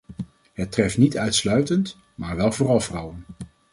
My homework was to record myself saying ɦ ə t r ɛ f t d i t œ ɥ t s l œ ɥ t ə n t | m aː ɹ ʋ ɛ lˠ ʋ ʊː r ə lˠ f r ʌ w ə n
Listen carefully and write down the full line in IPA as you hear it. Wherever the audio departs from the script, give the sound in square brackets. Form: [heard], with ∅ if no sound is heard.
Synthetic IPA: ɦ ə t r ɛ f t [n] i t œ ɥ t s l œ ɥ t ə n t | m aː ɹ ʋ ɛ lˠ [v] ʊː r [ɑ] lˠ [v] r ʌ w ə n